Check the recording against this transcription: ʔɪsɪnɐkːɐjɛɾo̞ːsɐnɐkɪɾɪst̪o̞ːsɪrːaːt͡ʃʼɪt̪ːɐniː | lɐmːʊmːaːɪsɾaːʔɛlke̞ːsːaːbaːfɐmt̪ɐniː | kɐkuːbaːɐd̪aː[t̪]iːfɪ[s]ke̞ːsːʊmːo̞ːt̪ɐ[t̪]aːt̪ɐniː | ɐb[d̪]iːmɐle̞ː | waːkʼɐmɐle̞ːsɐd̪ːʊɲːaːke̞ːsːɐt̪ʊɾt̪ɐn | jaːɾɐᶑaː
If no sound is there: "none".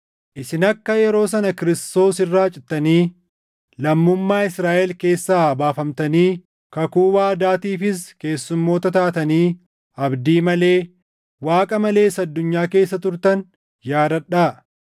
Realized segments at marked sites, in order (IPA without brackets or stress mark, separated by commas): t̪, s, t̪, d̪